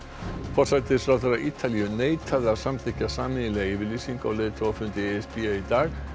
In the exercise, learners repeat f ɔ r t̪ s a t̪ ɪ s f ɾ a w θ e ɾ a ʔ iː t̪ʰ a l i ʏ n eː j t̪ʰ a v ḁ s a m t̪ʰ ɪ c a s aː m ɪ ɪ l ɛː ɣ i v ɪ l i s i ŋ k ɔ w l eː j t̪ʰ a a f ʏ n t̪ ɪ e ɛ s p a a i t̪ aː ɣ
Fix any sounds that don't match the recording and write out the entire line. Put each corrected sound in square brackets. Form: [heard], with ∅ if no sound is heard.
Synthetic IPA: f ɔ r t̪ s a t̪ ɪ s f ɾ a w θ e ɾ a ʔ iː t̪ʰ a l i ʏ n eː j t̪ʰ a [ð] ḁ s a m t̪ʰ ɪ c a s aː m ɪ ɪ l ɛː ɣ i v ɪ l i s i ŋ k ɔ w l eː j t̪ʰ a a f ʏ n t̪ ɪ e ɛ s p [i] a i t̪ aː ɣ